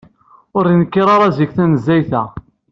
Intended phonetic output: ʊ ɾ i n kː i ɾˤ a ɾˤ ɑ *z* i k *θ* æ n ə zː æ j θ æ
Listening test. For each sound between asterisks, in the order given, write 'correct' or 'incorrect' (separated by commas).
correct, correct